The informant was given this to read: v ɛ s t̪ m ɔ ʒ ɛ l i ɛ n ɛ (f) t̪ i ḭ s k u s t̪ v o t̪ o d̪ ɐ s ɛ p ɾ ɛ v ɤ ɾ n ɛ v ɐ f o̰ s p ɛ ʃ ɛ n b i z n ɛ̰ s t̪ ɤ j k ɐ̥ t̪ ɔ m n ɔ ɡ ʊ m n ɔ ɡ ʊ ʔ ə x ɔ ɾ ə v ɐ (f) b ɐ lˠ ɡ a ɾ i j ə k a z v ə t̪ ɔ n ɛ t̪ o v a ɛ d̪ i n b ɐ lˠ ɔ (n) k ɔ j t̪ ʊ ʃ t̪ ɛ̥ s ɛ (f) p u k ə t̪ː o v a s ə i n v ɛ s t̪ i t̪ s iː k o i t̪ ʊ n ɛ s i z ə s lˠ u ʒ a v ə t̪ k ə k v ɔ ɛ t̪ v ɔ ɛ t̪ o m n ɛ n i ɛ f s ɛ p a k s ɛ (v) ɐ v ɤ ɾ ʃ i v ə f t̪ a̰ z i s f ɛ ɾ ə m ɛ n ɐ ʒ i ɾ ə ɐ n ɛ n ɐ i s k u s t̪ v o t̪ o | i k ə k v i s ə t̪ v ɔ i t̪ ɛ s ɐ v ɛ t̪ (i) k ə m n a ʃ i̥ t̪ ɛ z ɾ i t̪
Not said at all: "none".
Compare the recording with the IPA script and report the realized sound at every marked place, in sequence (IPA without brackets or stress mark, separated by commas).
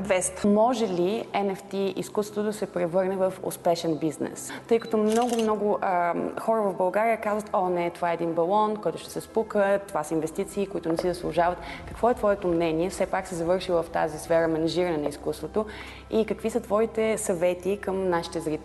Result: f, v, n, s, z, i